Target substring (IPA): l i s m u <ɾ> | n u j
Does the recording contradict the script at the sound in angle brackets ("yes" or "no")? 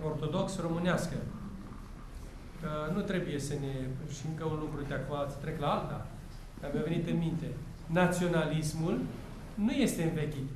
yes